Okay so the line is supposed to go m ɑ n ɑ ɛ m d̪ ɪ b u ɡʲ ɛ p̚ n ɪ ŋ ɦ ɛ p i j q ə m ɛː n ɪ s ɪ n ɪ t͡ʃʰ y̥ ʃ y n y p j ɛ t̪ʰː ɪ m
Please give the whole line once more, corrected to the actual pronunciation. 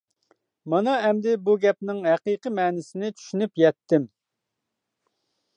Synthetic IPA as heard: m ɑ n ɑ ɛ m d̪ ɪ b u ɡʲ ɛ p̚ n ɪ ŋ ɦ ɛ q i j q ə m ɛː n ɪ s ɪ n ɪ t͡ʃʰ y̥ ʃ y n y p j ɛ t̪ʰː ɪ m